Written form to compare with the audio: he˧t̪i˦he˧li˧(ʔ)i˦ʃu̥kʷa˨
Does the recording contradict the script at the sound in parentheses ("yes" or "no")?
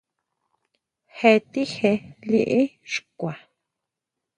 no